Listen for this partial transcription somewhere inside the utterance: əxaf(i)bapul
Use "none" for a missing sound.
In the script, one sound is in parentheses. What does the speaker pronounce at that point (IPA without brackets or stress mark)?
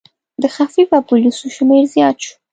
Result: i